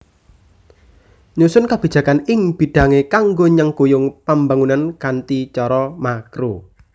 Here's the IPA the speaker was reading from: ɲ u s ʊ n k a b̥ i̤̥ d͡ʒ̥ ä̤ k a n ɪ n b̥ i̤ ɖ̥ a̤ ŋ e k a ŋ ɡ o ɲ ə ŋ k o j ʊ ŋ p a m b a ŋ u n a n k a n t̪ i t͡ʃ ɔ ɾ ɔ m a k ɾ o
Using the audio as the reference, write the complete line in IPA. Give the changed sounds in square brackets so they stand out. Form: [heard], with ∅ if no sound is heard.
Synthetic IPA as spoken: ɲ u s ʊ n k a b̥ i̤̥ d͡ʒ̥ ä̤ k a n ɪ [ŋ] b̥ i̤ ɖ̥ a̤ ŋ e k a ŋ ɡ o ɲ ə ŋ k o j ʊ ŋ p a m b a ŋ u n a n k a n t̪ i t͡ʃ ɔ ɾ ɔ m a k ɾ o